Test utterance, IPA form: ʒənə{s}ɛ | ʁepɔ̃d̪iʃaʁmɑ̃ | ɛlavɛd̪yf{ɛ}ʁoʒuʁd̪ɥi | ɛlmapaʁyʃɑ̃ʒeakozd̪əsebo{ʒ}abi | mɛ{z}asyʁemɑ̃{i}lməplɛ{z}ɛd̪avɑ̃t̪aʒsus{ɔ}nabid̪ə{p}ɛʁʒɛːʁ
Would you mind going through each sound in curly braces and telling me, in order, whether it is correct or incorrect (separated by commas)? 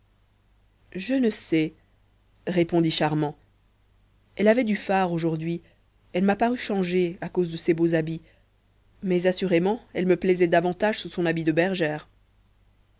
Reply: correct, incorrect, incorrect, correct, incorrect, correct, incorrect, incorrect